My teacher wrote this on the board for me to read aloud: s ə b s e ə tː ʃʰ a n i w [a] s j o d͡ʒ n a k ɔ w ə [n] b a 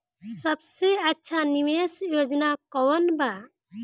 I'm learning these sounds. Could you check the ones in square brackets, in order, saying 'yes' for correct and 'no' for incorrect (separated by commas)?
no, yes